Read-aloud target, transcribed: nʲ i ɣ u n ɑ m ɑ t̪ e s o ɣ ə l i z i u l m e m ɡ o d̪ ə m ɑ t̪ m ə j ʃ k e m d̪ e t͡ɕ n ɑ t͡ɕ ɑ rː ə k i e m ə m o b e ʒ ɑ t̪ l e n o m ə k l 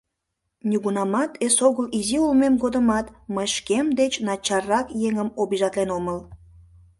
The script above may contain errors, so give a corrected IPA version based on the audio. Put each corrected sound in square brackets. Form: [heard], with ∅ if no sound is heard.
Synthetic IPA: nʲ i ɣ u n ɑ m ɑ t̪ e s o ɣ ə l i z i u l m e m ɡ o d̪ ə m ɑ t̪ m ə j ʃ k e m d̪ e t͡ɕ n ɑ t͡ɕ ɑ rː [ɑ] k [j] e [ŋ] ə m o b [i] ʒ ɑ t̪ l e n o m ə [∅] l